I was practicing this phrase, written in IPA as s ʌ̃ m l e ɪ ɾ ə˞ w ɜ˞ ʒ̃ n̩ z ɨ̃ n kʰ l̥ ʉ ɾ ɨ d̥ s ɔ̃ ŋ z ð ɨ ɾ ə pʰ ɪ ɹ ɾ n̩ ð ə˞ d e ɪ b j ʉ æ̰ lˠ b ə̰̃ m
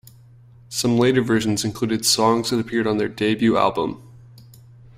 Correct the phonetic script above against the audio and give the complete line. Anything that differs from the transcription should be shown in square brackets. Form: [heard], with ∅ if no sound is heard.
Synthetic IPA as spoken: s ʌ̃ m l e ɪ ɾ ə˞ [v] ɜ˞ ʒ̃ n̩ z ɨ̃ n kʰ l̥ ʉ ɾ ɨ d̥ s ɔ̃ ŋ z ð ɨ ɾ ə pʰ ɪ ɹ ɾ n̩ ð ə˞ d e ɪ b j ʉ æ̰ lˠ b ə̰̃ m

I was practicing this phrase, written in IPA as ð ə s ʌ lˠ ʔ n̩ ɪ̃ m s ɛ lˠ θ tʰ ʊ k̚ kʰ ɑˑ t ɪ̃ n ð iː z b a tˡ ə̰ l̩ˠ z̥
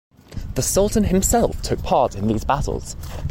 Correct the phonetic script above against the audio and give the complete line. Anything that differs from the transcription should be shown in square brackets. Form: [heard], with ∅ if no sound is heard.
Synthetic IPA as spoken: ð ə s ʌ lˠ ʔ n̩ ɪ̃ m s ɛ lˠ [f] tʰ ʊ k̚ [pʰ] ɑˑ t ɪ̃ n ð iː z b a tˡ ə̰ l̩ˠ z̥

